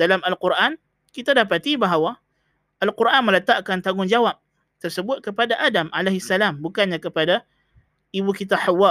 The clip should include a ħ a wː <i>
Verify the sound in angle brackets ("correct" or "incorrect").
incorrect